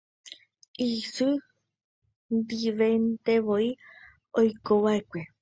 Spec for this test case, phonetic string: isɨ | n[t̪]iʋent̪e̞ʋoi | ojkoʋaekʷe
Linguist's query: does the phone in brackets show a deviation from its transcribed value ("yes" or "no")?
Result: yes